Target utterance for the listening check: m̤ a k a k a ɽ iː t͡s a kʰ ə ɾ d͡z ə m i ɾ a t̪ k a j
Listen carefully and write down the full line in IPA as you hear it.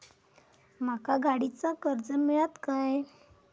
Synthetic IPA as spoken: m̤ a k a ɡ a ɽ i t͡s a k ə ɾ d͡z ə m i ɭ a t̪ k a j